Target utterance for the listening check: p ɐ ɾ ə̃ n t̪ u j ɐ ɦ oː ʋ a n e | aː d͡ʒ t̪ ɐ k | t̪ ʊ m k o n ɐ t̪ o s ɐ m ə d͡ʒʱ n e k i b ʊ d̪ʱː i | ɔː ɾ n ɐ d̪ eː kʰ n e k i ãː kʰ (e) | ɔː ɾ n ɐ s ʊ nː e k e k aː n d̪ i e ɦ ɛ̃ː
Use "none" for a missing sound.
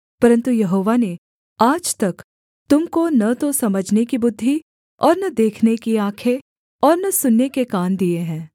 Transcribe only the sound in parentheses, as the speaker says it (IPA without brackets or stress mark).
e